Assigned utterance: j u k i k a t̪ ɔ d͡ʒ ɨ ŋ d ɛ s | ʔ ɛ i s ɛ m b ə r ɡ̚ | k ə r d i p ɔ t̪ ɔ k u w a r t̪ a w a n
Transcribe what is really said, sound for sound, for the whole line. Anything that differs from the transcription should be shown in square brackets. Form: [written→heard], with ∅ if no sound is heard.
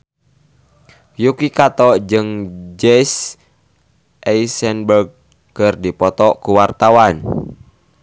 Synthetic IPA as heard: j u k i k a t̪ ɔ d͡ʒ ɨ ŋ [d→d͡ʒ] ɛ s | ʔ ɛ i s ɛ [m→n] b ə r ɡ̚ | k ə r d i p ɔ t̪ ɔ k u w a r t̪ a w a n